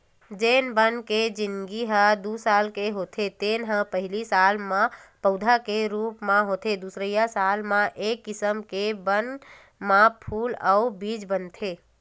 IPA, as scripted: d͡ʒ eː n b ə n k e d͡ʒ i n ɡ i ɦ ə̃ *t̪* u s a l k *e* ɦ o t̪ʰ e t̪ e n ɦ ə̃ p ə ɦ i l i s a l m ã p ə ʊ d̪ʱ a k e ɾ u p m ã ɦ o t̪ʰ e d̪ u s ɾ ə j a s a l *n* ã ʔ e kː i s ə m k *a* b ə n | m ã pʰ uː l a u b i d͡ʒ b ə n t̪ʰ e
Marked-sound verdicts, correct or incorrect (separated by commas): incorrect, correct, incorrect, incorrect